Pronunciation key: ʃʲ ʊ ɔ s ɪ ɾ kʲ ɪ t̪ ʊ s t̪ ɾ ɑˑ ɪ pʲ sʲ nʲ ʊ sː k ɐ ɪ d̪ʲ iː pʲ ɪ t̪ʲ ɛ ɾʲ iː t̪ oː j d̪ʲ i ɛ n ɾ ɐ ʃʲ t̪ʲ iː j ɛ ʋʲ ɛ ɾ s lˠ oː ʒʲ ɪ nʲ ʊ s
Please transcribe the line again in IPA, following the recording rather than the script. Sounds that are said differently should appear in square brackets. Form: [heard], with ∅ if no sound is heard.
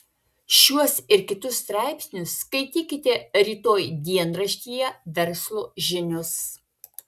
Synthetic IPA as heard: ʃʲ [u] ɔ s ɪ ɾ kʲ ɪ t̪ ʊ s t̪ ɾ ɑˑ ɪ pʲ sʲ nʲ ʊ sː k ɐ ɪ [t̪ʲ] iː [kʲ] ɪ t̪ʲ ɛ ɾʲ iː t̪ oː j d̪ʲ i ɛ n ɾ ɐ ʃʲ t̪ʲ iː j ɛ ʋʲ ɛ ɾ s lˠ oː ʒʲ ɪ nʲ ʊ s